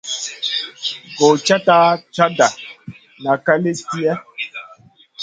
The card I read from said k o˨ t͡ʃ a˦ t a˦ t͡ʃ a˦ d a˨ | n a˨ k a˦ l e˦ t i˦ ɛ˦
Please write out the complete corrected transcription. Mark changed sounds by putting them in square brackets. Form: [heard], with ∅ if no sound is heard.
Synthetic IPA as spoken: [ɡ] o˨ t͡ʃ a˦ t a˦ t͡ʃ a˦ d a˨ | n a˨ k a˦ l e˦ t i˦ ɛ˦